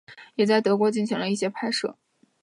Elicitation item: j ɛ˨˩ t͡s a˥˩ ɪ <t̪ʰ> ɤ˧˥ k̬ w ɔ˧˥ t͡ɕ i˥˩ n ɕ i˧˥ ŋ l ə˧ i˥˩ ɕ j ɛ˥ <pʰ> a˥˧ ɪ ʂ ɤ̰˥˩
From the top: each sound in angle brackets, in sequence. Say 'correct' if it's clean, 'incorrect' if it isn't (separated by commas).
incorrect, correct